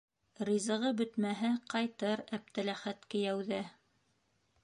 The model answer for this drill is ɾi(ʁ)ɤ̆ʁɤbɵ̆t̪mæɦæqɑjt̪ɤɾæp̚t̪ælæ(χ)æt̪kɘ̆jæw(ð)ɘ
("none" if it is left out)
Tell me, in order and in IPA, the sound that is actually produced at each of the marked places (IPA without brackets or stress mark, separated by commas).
z, χ, ð